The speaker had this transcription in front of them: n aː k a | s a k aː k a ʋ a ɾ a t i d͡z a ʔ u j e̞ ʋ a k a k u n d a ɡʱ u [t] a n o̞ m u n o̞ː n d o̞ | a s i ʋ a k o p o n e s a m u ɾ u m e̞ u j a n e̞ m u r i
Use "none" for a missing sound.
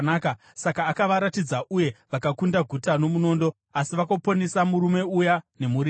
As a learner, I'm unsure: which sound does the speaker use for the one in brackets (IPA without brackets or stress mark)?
t